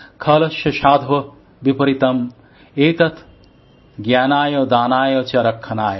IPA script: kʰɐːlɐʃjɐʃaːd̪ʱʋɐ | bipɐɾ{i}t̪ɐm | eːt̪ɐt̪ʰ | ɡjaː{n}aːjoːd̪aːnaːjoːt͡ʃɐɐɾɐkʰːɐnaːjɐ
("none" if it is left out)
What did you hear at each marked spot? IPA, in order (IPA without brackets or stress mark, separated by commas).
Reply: i, n